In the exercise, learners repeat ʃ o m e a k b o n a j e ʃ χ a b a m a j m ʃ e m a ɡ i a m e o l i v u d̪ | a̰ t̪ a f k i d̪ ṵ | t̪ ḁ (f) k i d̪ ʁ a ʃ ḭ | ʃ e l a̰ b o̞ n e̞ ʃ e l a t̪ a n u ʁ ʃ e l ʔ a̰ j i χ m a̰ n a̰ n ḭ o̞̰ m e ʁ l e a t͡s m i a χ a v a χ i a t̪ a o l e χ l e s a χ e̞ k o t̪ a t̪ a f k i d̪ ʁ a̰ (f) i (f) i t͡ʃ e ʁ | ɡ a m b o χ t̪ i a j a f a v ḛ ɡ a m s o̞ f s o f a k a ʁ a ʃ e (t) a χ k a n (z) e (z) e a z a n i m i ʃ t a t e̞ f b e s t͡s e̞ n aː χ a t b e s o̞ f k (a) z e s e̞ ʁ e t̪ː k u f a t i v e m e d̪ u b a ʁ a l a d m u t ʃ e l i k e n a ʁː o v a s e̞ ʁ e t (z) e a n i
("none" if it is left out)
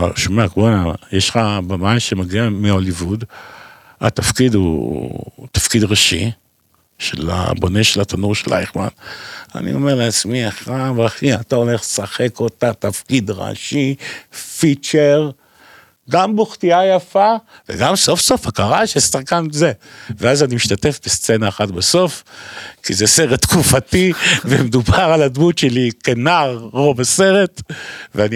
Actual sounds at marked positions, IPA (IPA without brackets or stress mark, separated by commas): f, ʃ, f, s, z, v, i, v